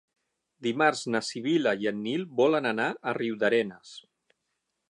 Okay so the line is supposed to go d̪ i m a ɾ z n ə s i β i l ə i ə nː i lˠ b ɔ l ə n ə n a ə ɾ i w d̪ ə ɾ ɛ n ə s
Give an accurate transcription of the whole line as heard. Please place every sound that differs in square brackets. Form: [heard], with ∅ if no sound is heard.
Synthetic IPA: d̪ i m a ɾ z n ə s i β i l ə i ə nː i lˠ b ɔ l ə n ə n a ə [r] i w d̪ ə ɾ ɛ n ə s